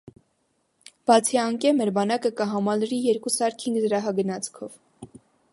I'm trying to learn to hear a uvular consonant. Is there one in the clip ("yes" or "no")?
no